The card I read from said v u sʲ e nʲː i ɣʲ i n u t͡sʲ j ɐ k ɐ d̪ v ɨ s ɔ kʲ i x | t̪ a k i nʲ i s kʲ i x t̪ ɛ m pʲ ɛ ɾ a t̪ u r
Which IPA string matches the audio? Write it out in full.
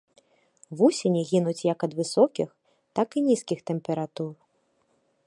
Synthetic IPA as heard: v u sʲ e nʲ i ɣʲ i n u t͡sʲ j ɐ k ɐ d̪ v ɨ s ɔ kʲ i x | t̪ a k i nʲ i s kʲ i x t̪ ɛ m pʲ ɛ ɾ a t̪ u r